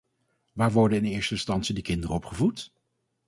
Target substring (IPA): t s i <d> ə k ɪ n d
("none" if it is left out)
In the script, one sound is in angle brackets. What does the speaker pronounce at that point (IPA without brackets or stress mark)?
d